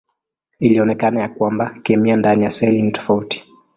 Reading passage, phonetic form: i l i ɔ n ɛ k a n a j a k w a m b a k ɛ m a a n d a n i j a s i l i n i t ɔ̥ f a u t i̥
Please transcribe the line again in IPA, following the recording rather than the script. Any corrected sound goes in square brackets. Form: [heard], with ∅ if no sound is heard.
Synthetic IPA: i l i ɔ n ɛ k a n a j a k w a m b a k ɛ m [i] a n d a n i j a s [ɛ] l i n i t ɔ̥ f a u t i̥